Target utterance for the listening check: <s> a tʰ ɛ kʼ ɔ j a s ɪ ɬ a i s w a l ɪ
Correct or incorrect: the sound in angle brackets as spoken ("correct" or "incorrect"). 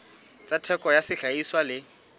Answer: incorrect